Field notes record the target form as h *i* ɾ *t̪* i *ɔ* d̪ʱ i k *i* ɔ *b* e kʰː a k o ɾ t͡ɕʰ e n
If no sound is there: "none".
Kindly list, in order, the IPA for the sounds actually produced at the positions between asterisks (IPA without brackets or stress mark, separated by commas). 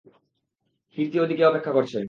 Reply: i, t̪, o, e, p